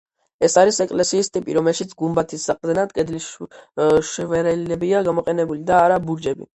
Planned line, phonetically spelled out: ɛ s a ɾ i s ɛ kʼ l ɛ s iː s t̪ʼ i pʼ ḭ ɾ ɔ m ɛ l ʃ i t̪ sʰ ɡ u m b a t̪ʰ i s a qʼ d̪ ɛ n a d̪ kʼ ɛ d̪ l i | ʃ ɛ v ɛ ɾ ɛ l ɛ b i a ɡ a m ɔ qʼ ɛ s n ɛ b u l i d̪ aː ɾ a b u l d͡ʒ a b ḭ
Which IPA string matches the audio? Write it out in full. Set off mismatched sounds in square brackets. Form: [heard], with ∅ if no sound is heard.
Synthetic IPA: ɛ s a ɾ i s ɛ kʼ l ɛ s iː s t̪ʼ i pʼ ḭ ɾ ɔ m ɛ l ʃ i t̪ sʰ ɡ u m b a t̪ʰ i s a qʼ d̪ ɛ n a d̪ kʼ ɛ d̪ l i | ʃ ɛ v ɛ ɾ ɛ l ɛ b i a ɡ a m ɔ qʼ ɛ [∅] n ɛ b u l i d̪ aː ɾ a b u [ɾ] d͡ʒ [ɛ] b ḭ